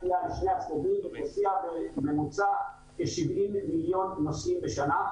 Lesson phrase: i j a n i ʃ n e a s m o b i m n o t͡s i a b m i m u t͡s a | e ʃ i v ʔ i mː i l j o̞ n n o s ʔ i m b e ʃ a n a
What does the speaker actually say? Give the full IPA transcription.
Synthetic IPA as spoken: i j a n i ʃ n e a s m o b i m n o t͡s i a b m e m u t͡s a | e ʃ i v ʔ i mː i l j o̞ n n o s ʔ i m b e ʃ a n a